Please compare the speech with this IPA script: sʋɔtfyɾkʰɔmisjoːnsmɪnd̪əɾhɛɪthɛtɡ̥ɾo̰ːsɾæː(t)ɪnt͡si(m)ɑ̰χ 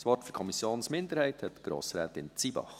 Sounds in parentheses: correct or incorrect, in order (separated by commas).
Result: correct, incorrect